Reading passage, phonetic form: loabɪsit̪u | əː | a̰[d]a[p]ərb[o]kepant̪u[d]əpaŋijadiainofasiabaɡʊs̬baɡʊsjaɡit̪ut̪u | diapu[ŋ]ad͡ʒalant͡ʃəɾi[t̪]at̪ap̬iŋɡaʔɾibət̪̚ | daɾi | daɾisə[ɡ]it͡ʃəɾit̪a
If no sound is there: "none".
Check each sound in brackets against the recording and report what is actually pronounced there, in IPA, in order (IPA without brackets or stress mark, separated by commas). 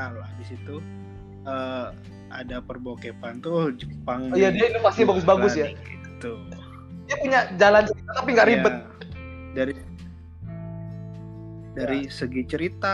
d, p, o, d͡ʒ, ɲ, t̪, ɡ